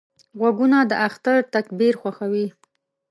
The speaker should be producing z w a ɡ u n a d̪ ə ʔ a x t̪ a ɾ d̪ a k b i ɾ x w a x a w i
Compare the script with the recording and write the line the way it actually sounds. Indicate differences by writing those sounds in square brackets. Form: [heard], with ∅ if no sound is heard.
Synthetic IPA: [ɣ] w a ɡ u n a d̪ ə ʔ a x t̪ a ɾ [t̪] a k b i ɾ x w a x a w i